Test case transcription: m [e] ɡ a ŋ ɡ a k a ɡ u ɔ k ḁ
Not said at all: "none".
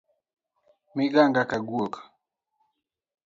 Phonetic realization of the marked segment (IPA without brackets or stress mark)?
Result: i